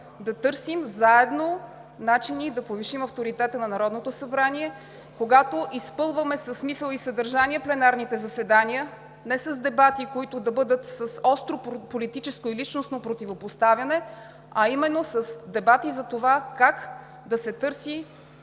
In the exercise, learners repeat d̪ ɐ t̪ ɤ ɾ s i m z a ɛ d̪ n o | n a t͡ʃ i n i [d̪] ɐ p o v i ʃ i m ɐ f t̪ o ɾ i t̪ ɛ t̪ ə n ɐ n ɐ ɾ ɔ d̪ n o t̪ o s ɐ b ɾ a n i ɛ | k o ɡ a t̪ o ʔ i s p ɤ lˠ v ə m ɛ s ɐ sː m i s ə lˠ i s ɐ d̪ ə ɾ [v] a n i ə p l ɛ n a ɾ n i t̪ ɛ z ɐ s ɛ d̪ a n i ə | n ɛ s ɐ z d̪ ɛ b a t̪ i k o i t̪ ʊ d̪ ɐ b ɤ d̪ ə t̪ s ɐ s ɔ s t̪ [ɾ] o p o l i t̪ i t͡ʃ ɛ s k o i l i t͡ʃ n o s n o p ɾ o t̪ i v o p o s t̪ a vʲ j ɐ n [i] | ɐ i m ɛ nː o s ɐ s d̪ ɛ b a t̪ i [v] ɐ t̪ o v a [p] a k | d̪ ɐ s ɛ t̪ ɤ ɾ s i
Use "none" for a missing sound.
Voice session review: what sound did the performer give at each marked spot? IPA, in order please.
d̪, ʒ, ɾ, ɛ, z, k

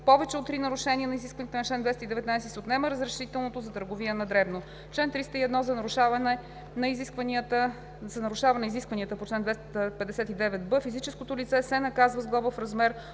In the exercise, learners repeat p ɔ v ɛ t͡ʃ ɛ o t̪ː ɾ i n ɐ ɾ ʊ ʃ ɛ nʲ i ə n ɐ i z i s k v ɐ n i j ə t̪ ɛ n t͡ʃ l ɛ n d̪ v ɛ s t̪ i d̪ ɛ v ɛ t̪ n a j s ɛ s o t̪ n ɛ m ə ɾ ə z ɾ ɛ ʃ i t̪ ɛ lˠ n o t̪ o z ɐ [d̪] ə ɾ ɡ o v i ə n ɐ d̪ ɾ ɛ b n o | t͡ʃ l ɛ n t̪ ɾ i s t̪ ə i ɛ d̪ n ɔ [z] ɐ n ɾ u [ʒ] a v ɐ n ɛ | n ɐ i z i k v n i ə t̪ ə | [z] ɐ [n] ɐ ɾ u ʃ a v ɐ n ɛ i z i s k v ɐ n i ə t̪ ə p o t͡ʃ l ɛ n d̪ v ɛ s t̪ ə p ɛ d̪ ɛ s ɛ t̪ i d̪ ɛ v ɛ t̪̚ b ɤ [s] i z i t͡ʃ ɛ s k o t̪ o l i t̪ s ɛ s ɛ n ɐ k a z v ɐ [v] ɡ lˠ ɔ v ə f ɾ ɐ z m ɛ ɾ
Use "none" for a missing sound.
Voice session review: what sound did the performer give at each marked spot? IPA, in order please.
t̪, z, ʃ, z, n, f, z

